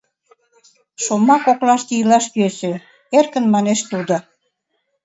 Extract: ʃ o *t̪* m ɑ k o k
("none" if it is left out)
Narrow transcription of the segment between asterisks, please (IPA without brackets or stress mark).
none